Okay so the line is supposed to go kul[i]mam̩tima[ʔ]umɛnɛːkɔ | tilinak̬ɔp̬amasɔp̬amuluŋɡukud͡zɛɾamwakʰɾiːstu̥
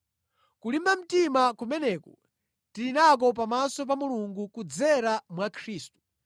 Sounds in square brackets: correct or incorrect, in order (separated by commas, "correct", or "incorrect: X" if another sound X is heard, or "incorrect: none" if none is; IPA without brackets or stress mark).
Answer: correct, incorrect: k